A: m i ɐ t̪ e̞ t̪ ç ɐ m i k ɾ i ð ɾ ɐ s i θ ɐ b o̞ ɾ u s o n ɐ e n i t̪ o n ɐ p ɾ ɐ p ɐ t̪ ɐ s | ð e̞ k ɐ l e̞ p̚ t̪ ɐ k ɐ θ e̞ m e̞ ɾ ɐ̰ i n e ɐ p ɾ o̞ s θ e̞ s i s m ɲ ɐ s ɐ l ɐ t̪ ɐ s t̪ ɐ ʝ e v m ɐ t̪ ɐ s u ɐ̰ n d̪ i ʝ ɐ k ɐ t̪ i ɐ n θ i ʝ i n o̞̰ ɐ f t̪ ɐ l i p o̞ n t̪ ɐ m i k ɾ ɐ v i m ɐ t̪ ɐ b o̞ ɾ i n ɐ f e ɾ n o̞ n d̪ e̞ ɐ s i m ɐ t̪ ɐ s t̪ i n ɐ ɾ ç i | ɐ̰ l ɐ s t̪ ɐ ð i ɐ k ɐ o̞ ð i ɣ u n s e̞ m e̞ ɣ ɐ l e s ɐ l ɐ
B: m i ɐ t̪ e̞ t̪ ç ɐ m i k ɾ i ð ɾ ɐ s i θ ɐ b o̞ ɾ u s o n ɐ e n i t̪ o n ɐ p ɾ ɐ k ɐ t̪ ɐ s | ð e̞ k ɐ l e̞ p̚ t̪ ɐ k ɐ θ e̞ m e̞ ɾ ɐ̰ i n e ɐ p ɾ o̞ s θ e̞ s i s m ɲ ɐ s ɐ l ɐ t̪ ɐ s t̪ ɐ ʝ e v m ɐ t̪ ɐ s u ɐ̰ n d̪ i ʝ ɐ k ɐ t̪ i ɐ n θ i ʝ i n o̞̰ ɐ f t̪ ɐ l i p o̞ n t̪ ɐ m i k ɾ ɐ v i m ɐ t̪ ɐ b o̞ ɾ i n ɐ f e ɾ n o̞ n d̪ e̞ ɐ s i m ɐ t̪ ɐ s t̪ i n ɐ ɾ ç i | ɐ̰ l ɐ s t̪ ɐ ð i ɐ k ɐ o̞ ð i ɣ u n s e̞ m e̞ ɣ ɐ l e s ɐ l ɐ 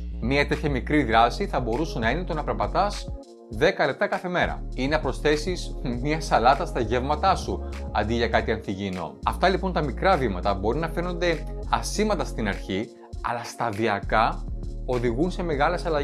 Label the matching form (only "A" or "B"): A